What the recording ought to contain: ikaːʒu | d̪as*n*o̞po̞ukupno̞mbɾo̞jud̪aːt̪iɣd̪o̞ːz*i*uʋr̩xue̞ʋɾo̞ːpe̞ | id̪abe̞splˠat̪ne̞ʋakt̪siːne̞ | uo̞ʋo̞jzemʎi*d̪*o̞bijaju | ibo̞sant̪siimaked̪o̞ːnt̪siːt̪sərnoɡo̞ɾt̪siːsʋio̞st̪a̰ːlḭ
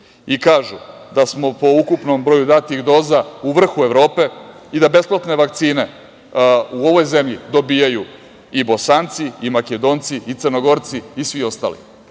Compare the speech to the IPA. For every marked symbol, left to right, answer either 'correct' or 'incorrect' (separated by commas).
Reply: incorrect, incorrect, correct